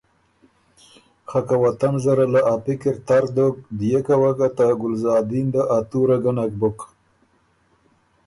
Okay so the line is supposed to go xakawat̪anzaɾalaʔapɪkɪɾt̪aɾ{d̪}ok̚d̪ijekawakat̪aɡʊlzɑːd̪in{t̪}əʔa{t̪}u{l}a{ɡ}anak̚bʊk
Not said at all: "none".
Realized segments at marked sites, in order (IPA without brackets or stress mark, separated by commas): d̪, d̪, t̪, ɾ, ɡ